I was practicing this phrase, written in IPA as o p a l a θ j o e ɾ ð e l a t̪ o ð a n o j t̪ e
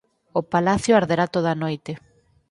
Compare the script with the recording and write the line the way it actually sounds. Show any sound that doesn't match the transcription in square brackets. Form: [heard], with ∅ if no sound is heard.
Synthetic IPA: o p a l a θ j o [a] ɾ ð e [ɾ] a t̪ o ð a n o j t̪ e